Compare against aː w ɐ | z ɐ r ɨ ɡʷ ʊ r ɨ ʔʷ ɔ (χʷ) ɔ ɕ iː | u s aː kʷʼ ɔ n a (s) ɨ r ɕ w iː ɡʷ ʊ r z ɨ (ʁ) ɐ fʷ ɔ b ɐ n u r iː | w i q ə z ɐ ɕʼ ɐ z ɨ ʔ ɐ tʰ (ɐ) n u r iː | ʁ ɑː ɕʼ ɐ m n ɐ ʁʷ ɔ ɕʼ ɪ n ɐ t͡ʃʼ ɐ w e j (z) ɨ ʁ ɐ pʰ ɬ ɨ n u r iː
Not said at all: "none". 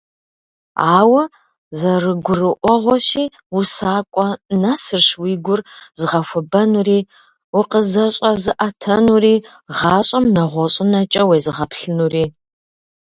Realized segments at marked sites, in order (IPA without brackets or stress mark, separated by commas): ʁʷ, s, ʁ, ɐ, z